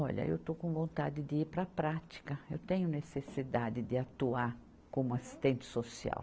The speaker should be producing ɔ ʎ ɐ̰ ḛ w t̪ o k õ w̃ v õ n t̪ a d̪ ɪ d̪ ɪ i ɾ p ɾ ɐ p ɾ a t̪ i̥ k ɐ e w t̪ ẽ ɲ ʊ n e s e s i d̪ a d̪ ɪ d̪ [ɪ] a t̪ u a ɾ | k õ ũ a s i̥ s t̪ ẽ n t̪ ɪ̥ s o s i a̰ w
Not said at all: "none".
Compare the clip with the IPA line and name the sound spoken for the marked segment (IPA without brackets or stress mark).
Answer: ɪ